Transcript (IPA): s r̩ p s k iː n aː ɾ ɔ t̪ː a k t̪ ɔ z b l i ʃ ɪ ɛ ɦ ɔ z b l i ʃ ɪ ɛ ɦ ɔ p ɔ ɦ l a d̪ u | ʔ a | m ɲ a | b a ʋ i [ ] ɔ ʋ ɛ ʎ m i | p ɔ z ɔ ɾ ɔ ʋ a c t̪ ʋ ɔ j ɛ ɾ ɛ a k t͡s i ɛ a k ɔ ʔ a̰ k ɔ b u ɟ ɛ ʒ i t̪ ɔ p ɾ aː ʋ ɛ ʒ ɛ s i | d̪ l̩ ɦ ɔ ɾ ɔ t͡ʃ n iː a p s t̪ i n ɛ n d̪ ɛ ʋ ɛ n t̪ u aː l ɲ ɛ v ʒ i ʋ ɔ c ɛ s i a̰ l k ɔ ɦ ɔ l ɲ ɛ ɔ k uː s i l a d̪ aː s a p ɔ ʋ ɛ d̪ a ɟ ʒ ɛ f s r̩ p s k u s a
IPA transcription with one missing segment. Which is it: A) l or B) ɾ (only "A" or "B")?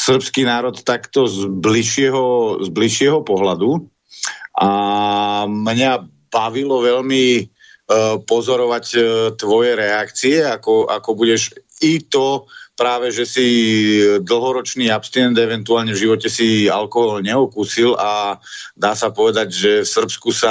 A